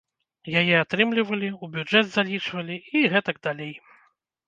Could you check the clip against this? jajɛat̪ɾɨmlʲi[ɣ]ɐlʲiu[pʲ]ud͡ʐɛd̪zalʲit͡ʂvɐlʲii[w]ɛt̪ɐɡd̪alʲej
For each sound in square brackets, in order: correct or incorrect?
incorrect: v, incorrect: bʲ, incorrect: ɣ

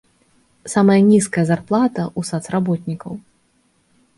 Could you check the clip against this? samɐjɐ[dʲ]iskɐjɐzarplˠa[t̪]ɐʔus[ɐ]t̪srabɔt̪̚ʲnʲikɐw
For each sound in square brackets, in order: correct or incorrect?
incorrect: nʲ, correct, incorrect: a

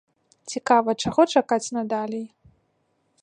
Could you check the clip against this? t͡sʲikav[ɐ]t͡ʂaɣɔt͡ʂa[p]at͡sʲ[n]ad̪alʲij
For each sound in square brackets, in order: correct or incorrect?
correct, incorrect: k, correct

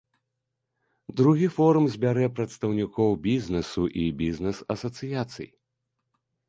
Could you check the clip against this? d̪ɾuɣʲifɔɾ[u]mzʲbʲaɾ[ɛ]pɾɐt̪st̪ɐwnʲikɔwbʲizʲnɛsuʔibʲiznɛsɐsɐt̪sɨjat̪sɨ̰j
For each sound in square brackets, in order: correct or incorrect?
correct, correct

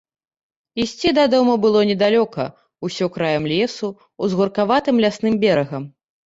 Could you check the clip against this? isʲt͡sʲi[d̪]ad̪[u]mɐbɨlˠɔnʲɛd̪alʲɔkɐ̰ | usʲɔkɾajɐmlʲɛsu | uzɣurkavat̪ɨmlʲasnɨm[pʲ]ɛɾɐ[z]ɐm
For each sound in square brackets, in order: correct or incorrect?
correct, incorrect: ɔ, incorrect: bʲ, incorrect: ɣ

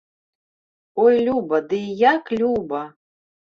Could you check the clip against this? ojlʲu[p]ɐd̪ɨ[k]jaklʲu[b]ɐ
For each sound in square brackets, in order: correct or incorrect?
incorrect: b, incorrect: none, correct

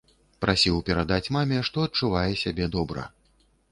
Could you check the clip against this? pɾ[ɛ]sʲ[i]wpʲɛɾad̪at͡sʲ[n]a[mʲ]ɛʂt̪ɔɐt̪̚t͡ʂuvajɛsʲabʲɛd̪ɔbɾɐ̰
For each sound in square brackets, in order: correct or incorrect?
incorrect: a, correct, incorrect: m, correct

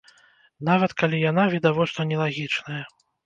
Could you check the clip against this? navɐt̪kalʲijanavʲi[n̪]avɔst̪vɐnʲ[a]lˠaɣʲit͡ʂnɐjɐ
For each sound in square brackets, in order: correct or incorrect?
incorrect: d̪, incorrect: ɛ

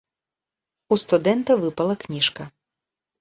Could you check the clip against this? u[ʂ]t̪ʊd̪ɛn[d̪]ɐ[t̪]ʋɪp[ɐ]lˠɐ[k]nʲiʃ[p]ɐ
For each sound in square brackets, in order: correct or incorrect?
incorrect: s, incorrect: t̪, incorrect: none, correct, correct, incorrect: k

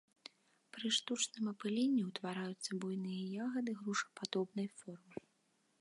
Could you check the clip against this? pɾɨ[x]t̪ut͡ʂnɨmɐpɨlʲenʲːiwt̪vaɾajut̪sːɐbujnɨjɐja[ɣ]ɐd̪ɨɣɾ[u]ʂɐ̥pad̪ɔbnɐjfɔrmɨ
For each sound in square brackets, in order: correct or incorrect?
incorrect: ʂ, correct, correct

